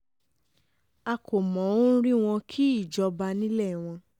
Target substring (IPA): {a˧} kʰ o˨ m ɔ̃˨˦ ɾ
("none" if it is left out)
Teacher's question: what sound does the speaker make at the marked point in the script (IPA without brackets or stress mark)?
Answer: a˧